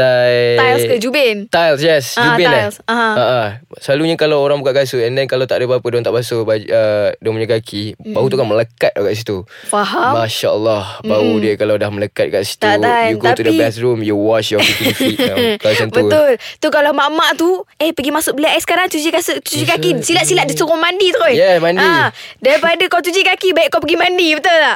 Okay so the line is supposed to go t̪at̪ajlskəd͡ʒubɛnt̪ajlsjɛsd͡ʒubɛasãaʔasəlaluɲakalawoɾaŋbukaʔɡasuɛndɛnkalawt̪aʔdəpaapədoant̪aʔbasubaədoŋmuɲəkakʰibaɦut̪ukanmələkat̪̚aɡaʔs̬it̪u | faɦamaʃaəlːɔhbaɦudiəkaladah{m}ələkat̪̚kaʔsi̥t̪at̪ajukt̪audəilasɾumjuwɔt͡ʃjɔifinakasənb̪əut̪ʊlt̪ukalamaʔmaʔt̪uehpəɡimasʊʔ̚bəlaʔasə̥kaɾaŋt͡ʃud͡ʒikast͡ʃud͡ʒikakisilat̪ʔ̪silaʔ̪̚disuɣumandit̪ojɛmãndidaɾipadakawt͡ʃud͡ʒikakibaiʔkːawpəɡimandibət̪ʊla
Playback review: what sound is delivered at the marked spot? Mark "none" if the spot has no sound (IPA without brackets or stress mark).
m